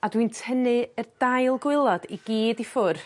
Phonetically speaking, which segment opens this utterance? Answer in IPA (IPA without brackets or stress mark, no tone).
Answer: a